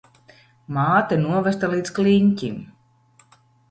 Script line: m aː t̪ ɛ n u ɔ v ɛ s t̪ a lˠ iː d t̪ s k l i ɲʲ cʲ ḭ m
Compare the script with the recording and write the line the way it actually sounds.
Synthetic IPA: m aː t̪ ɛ n u ɔ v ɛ s t̪ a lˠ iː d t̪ s k l i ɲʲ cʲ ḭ m